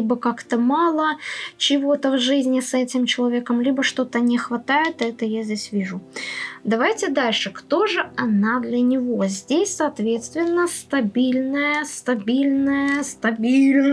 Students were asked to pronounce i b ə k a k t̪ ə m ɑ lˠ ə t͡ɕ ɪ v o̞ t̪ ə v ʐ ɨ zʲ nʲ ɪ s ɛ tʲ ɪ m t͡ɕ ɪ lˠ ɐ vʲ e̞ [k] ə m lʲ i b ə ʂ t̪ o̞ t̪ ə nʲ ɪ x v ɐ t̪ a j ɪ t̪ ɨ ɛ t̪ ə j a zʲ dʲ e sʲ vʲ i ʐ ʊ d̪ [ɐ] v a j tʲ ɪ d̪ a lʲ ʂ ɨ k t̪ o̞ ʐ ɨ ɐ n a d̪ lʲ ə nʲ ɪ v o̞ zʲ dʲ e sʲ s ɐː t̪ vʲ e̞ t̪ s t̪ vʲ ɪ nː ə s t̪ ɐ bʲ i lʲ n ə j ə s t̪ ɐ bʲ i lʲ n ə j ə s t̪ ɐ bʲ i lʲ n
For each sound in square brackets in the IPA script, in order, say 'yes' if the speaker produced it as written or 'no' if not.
yes, yes

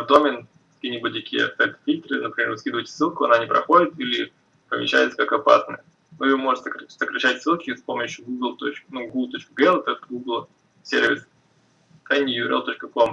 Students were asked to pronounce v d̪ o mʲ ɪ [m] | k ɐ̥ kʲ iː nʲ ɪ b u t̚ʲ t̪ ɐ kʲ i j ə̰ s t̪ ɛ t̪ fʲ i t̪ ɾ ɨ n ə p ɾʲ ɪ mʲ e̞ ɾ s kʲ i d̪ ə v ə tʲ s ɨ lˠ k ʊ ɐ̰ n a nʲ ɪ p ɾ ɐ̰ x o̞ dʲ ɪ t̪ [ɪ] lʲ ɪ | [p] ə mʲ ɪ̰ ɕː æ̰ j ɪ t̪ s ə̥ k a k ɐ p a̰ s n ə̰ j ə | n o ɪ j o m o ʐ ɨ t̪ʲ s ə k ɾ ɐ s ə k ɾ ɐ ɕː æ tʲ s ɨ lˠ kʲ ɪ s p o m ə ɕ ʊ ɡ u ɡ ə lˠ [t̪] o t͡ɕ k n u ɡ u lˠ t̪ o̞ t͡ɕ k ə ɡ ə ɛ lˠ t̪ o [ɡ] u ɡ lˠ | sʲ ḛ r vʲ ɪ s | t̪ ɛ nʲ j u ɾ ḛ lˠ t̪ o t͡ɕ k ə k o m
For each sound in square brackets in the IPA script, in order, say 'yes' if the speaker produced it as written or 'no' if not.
no, no, yes, yes, yes

